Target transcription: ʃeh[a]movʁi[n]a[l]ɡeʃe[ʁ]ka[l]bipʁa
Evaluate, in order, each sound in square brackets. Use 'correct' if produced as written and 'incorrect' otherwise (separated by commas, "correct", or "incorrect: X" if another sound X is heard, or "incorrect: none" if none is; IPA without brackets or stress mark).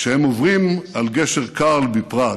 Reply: incorrect: e, incorrect: m, correct, correct, correct